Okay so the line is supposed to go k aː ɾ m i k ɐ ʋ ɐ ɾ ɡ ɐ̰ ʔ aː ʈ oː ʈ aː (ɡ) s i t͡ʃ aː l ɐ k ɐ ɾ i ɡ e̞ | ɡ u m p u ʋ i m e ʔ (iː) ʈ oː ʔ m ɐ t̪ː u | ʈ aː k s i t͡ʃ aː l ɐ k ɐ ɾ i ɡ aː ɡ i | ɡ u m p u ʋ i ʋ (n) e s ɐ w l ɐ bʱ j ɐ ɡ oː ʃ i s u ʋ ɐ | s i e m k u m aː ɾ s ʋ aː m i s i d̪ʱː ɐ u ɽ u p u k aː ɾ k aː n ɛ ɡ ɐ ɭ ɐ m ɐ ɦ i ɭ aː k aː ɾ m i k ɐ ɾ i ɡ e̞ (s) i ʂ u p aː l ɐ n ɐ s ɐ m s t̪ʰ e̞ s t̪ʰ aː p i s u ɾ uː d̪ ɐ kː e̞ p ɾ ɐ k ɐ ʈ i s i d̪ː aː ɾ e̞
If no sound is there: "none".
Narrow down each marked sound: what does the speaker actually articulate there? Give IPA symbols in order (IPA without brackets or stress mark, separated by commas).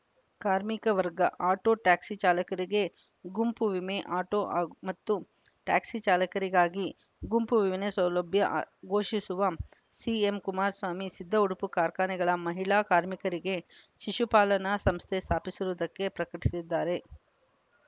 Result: k, aː, n, ʃ